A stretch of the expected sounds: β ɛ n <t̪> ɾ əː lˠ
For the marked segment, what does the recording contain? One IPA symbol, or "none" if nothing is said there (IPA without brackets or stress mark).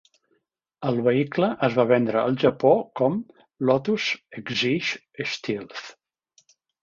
d̪